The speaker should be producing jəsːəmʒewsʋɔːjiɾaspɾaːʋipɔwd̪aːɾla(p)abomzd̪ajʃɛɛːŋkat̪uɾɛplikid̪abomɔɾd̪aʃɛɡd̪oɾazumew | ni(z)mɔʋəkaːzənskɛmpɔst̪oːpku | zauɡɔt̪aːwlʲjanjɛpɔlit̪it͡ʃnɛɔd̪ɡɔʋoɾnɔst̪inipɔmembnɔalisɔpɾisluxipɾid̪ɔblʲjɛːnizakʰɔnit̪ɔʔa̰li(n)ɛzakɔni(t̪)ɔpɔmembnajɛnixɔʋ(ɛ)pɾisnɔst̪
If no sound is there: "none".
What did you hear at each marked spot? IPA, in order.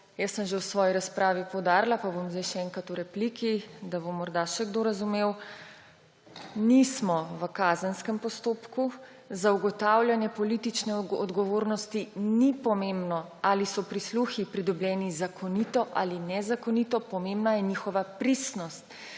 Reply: p, s, n, t̪, a

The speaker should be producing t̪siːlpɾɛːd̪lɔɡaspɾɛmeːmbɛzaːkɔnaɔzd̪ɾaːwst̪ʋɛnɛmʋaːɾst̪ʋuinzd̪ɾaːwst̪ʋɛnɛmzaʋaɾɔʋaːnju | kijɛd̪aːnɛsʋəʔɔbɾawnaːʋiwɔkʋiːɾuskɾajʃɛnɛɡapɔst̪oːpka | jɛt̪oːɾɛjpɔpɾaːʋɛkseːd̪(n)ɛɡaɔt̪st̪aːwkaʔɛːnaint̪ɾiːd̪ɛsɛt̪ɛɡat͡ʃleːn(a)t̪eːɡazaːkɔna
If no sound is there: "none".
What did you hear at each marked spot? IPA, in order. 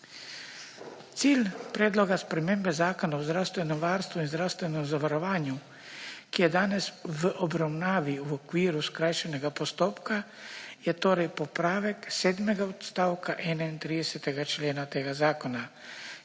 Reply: m, a

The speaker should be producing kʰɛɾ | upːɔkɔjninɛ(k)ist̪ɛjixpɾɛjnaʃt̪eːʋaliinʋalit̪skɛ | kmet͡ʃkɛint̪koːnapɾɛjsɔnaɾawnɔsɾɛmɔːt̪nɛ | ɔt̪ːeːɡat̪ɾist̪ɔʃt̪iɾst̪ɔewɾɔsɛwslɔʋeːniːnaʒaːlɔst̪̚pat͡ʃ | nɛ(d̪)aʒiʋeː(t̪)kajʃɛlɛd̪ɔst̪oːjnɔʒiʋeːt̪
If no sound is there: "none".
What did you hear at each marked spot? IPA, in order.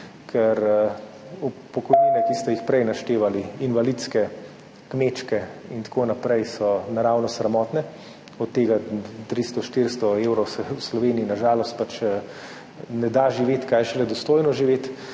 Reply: k, d̪, t̪

